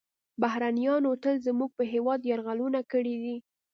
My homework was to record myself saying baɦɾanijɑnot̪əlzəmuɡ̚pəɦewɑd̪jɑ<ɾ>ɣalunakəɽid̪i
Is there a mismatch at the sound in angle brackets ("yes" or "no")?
no